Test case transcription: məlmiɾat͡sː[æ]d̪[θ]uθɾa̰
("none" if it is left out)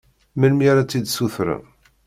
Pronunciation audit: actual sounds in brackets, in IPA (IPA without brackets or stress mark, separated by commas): i, s